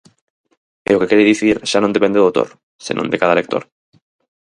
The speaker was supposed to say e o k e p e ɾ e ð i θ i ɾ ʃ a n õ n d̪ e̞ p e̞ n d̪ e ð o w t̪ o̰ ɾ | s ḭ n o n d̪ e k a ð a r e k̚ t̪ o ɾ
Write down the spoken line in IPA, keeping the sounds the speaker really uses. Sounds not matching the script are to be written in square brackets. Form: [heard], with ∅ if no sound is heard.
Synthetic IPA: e o k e [k] e ɾ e ð i θ i ɾ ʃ a n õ n d̪ e̞ p e̞ n d̪ e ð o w t̪ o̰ ɾ | s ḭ n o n d̪ e k a ð a [l] e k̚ t̪ o ɾ